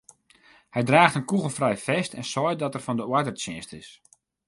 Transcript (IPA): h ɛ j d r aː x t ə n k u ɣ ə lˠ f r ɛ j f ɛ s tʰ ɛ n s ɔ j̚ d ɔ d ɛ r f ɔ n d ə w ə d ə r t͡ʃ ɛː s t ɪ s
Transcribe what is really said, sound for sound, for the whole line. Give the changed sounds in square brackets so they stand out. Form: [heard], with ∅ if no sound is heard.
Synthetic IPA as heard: h ɛ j d r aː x t ə n k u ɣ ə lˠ f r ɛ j f ɛ s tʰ ɛ n s ɔ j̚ d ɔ [t] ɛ r f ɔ n d ə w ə d ə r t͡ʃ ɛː s t ɪ s